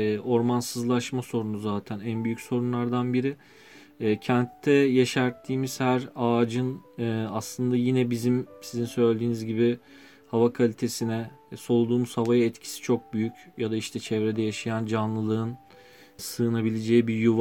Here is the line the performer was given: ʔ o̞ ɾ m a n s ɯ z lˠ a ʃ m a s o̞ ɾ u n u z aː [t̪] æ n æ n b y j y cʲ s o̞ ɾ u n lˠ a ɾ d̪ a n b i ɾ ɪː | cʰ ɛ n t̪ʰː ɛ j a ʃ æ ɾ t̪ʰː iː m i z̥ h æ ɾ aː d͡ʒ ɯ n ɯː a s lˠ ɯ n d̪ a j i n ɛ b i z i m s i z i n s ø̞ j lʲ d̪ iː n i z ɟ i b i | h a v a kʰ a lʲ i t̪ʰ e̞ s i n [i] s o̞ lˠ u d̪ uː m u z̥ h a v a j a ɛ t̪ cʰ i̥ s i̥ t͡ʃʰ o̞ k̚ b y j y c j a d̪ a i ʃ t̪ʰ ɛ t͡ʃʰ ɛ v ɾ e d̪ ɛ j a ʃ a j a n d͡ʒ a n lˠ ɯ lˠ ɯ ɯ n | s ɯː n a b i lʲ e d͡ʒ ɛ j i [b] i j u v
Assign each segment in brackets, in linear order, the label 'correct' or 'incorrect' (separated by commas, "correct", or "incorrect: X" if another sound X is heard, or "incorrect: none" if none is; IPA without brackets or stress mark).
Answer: incorrect: t̪ʰ, incorrect: ɛ, correct